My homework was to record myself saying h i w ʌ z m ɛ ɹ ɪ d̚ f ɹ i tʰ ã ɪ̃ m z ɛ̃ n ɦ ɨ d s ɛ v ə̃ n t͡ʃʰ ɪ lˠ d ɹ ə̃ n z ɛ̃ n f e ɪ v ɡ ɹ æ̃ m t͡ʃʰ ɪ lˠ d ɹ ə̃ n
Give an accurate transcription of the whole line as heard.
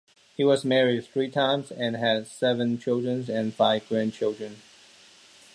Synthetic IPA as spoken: h i w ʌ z m ɛ ɹ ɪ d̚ θ ɹ i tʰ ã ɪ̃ m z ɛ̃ n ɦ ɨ d s ɛ v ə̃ n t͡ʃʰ ɪ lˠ d ɹ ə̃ n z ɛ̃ n f a ɪ v ɡ ɹ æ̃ n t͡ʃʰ ɪ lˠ d ɹ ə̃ n